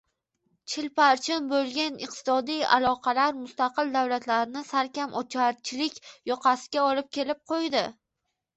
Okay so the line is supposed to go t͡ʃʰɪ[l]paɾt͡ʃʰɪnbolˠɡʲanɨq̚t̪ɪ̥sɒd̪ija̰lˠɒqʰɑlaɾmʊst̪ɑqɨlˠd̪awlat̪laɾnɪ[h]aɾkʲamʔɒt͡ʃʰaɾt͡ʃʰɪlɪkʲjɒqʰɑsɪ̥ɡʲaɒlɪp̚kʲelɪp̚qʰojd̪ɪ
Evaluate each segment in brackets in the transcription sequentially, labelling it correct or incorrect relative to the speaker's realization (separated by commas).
correct, incorrect